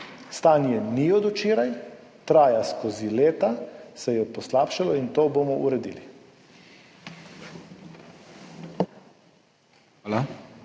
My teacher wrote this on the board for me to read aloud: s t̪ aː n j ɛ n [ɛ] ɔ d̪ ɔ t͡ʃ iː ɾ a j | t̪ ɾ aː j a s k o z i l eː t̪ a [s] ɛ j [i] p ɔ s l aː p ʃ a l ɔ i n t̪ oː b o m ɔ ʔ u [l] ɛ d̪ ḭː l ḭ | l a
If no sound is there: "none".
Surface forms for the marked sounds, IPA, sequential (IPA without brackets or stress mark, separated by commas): i, s, ɛ, ɾ